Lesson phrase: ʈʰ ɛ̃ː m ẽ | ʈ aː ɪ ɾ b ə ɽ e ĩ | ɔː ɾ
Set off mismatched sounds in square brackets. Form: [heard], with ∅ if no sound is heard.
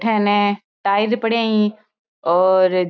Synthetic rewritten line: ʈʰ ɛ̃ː [n] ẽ | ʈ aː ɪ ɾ [p] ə ɽ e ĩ | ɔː ɾ